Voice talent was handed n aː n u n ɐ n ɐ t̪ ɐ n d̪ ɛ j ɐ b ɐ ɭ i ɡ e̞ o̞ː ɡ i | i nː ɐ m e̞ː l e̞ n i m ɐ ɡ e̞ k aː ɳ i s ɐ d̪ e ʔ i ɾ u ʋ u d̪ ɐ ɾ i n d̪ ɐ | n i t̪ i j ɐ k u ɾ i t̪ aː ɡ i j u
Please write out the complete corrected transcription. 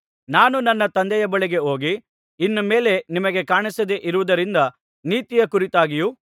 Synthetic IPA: n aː n u n ɐ nː ɐ t̪ ɐ n d̪ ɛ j ɐ b ɐ ɭ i ɡ e̞ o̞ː ɡ i | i nː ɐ m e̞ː l e̞ n i m ɐ ɡ e̞ k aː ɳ i s ɐ d̪ e ʔ i ɾ u ʋ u d̪ ɐ ɾ i n d̪ ɐ | n iː t̪ i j ɐ k u ɾ i t̪ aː ɡ i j u

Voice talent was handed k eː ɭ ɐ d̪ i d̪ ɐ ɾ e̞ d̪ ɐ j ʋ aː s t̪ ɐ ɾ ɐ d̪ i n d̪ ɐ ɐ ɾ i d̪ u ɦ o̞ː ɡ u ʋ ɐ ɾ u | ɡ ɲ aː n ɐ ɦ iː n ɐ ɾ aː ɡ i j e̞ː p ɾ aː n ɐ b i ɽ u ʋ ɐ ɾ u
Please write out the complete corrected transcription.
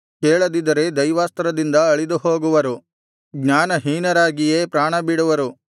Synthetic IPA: k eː ɭ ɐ d̪ i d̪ ɐ ɾ e̞ d̪ ɐ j ʋ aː s t̪ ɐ ɾ ɐ d̪ i n d̪ ɐ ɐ ɭ i d̪ u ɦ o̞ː ɡ u ʋ ɐ ɾ u | ɡ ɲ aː n ɐ ɦ iː n ɐ ɾ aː ɡ i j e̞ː p ɾ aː ɳ ɐ b i ɽ u ʋ ɐ ɾ u

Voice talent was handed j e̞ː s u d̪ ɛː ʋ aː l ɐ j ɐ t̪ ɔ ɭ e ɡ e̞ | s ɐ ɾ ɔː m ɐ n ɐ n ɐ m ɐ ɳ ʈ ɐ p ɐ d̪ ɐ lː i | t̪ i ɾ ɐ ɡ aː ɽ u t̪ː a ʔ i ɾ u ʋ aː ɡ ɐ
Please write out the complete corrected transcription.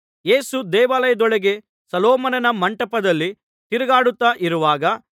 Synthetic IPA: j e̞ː s u d̪ ɛː ʋ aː l ɐ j ɐ d̪ ɔ ɭ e ɡ e̞ | s ɐ l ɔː m ɐ n ɐ n ɐ m ɐ ɳ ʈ ɐ p ɐ d̪ ɐ lː i | t̪ i ɾ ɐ ɡ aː ɽ u t̪ː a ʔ i ɾ u ʋ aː ɡ ɐ

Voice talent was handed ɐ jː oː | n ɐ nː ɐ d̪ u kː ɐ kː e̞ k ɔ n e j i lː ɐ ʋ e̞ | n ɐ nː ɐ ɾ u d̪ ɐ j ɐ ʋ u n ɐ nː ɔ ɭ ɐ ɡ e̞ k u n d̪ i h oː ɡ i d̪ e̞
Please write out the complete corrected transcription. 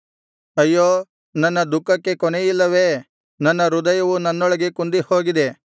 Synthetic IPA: ɐ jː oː | n ɐ nː ɐ d̪ u kː ɐ kː e̞ k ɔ n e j i lː ɐ ʋ e̞ | n ɐ nː ɐ ɾ u d̪ ɐ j ɐ ʋ u n ɐ nː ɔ ɭ ɐ ɡ e̞ k u n d̪ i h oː ɡ i d̪ e̞

